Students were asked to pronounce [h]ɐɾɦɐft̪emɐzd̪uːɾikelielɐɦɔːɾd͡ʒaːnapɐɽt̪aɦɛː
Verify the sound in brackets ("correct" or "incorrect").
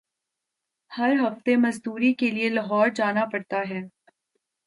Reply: correct